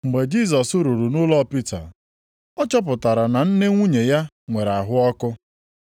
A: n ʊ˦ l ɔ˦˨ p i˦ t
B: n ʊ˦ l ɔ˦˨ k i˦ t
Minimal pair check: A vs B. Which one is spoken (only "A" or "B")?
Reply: A